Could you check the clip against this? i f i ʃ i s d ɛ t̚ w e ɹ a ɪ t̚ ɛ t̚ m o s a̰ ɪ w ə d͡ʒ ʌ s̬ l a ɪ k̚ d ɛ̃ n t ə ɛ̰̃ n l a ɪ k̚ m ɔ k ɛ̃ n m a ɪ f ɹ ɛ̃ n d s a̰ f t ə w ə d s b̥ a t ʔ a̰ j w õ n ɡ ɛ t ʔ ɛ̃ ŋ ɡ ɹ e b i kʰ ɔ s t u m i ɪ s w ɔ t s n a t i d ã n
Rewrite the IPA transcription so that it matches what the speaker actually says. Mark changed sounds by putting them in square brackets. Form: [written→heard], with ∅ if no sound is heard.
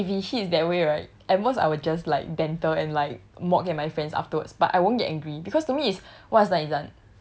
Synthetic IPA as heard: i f i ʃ i s d ɛ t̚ w e ɹ a ɪ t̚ ɛ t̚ m o s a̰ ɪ w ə d͡ʒ [ʌ→a] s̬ l a ɪ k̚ d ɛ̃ n t ə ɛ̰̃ n l a ɪ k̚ m ɔ k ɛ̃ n m a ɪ f ɹ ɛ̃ n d s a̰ f t ə w ə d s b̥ a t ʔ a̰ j w õ n ɡ ɛ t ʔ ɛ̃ ŋ ɡ ɹ [e→i] b i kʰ ɔ s t u m i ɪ s w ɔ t s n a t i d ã n